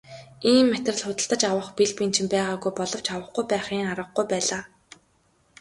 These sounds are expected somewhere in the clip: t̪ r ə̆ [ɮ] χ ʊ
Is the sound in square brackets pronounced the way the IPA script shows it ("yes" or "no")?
yes